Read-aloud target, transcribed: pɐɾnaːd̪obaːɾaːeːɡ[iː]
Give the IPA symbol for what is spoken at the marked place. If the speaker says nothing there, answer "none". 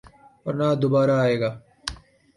aː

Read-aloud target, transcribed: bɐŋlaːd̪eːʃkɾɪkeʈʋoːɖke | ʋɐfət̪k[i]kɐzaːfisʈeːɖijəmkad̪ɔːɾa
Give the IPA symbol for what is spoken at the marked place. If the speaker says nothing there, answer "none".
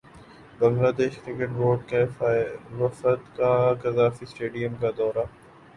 a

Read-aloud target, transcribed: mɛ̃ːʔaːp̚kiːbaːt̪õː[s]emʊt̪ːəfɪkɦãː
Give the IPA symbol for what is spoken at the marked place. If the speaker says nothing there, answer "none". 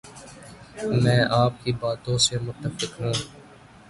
s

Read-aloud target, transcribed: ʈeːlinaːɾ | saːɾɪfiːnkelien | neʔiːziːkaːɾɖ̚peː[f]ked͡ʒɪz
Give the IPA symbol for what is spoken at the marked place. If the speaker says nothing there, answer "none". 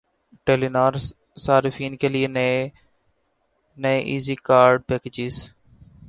none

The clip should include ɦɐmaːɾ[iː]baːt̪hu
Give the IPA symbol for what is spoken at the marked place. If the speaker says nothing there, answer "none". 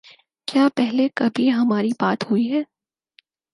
i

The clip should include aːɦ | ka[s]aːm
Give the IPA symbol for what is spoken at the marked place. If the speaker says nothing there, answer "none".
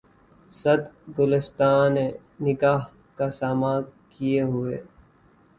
s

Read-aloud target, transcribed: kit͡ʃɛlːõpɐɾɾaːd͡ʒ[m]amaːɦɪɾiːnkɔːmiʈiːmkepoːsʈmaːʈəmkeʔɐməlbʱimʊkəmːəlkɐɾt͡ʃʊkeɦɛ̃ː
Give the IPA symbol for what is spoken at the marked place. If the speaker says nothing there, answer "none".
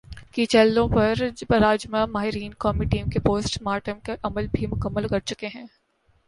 m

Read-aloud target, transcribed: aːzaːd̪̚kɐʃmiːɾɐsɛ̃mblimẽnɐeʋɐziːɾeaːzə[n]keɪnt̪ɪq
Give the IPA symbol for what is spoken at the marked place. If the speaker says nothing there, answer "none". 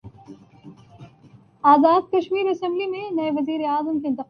m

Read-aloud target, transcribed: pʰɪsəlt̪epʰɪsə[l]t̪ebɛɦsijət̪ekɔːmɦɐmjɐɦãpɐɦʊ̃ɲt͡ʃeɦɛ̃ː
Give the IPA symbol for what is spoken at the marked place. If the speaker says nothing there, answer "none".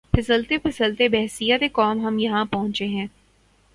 l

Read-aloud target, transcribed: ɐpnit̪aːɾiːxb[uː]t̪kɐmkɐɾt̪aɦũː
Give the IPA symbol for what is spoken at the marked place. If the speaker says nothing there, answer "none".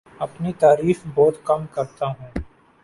ɔː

